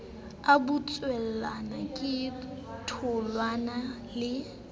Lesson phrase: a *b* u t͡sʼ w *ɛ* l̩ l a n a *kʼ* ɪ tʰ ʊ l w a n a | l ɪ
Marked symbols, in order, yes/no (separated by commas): yes, yes, yes